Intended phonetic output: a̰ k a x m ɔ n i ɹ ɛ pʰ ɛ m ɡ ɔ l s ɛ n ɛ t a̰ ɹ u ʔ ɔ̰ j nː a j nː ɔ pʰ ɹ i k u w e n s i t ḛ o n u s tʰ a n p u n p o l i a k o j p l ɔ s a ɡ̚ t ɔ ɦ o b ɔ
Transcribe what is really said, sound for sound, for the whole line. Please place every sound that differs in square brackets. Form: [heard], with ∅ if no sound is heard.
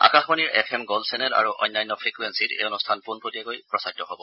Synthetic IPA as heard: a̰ k a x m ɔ n i ɹ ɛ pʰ ɛ m ɡ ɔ l s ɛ n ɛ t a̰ ɹ u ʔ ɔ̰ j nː a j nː ɔ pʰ ɹ i k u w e n s i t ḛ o n u s tʰ a n p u n p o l i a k o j p [ɹ] ɔ s a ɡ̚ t ɔ ɦ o b ɔ